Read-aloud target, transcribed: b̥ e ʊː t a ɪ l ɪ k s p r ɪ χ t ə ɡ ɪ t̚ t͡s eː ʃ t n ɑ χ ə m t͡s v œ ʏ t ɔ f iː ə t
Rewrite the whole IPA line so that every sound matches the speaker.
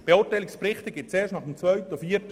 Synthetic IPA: b̥ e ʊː t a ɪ l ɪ k s p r ɪ χ t ə ɡ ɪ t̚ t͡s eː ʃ t n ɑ χ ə m t͡s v œ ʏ t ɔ f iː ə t